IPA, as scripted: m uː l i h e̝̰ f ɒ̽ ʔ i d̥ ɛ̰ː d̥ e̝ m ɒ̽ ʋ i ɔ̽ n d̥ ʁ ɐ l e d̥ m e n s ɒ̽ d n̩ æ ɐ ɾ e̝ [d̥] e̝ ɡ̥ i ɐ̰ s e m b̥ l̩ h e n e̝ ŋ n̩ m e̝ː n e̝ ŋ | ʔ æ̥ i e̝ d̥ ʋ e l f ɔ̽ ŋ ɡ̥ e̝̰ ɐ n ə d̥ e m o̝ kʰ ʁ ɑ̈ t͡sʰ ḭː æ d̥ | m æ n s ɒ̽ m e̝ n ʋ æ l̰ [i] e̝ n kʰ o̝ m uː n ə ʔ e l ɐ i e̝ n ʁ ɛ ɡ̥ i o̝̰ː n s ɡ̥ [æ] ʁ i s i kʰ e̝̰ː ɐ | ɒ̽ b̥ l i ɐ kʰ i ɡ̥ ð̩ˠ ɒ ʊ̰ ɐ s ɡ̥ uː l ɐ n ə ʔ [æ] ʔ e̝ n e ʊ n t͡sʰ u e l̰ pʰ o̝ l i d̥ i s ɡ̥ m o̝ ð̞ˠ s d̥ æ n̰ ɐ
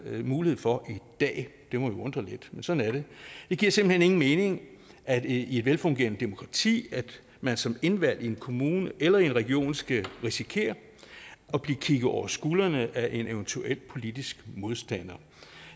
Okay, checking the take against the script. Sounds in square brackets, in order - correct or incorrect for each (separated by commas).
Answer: correct, correct, correct, correct